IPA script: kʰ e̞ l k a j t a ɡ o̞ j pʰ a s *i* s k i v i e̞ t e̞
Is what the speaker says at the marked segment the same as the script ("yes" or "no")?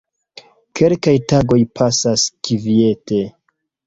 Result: no